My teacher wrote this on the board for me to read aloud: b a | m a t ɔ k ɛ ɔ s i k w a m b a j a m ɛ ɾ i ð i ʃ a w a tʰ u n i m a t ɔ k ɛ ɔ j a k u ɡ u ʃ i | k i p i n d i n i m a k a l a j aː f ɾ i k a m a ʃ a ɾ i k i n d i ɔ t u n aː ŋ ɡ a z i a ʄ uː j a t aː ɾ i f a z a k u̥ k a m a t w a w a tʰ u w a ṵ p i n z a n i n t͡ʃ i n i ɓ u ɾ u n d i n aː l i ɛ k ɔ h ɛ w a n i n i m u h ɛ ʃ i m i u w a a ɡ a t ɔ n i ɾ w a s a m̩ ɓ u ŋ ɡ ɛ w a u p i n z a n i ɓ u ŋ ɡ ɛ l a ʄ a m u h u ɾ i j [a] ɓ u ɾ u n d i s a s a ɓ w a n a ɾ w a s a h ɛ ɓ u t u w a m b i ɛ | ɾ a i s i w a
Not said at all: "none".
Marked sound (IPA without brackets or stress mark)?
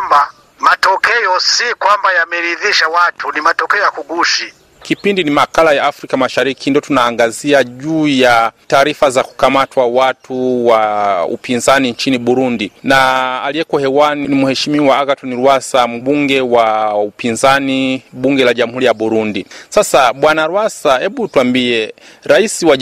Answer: a